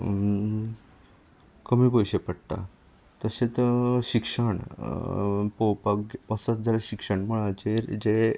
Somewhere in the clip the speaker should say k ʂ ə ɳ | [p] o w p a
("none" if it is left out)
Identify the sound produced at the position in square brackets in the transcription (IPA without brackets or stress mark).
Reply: p